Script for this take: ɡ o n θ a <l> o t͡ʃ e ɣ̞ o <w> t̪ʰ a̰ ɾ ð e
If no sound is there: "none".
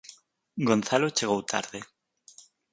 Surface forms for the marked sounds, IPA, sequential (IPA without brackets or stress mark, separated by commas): l, w